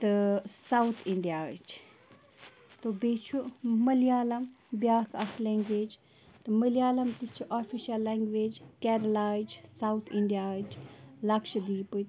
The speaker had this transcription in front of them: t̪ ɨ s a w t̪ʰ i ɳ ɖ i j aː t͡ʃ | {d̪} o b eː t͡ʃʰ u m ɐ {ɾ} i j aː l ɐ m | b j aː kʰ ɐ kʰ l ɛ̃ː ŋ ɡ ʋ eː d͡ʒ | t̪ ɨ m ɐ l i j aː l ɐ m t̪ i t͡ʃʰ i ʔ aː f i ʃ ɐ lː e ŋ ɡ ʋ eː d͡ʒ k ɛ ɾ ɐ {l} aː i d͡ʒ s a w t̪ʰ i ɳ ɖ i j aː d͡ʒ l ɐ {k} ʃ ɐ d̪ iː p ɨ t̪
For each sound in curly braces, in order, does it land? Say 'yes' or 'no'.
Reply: no, no, yes, yes

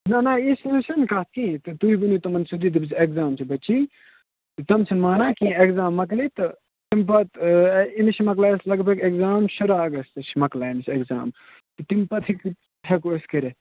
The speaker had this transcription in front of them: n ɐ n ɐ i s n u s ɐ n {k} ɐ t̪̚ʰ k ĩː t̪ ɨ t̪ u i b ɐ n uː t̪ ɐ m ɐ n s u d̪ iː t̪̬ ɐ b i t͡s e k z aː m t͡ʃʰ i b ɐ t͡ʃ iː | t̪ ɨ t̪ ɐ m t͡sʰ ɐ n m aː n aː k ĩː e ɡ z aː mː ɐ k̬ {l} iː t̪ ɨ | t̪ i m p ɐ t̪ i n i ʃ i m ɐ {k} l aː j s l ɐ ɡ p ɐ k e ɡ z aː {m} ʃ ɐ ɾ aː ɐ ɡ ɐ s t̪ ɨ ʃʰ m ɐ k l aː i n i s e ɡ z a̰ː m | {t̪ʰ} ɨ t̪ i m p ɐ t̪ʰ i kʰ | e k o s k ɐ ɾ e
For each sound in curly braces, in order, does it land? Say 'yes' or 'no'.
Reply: yes, yes, yes, yes, no

